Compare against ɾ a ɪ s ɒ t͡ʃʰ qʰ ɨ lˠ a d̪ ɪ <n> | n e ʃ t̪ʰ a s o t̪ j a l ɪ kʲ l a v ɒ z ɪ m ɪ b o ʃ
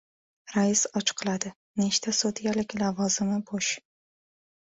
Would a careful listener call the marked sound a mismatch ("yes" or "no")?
yes